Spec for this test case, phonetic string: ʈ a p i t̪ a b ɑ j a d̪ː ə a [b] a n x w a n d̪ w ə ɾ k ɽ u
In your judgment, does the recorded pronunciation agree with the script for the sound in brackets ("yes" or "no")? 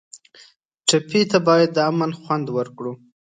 no